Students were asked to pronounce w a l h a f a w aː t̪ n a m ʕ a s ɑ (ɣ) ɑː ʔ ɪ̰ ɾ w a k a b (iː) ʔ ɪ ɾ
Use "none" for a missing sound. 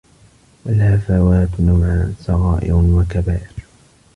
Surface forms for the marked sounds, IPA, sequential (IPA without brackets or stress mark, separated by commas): ɣ, aː